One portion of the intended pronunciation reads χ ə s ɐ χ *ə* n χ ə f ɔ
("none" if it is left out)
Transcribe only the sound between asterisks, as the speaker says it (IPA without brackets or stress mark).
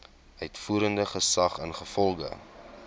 ə